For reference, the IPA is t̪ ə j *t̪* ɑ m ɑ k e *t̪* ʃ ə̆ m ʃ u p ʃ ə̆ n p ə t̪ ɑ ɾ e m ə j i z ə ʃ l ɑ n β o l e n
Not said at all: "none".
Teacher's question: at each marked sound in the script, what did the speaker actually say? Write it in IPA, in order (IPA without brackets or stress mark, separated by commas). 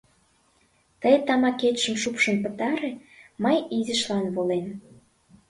t̪, t̪